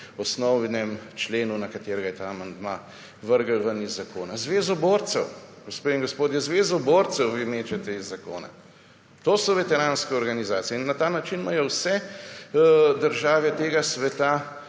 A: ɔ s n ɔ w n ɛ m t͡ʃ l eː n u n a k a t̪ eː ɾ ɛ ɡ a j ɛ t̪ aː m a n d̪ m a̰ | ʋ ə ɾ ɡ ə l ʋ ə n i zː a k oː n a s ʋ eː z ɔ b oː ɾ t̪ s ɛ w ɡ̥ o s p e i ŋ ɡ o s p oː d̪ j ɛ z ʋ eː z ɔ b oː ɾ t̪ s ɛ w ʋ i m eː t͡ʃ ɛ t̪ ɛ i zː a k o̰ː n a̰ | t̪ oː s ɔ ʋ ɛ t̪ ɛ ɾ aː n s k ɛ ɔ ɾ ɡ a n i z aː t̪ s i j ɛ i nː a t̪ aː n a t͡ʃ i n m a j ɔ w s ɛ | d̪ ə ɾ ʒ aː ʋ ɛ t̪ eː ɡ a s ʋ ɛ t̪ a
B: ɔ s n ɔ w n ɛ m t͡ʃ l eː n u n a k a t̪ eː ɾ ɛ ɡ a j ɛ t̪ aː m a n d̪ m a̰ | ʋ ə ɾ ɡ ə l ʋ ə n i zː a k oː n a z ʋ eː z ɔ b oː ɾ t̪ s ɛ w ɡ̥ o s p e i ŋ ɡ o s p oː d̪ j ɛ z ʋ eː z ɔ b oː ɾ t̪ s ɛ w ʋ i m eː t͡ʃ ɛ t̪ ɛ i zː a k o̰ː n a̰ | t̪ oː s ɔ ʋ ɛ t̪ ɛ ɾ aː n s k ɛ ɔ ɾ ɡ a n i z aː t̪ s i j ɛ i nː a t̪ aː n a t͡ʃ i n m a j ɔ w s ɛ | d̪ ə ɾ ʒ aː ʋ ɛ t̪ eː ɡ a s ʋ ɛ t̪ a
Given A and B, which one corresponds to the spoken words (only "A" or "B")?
B